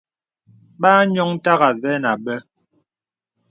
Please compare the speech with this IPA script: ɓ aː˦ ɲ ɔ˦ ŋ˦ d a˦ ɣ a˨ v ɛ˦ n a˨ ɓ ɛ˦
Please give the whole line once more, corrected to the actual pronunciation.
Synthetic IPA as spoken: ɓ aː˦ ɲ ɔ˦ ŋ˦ t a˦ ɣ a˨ v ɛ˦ n a˨ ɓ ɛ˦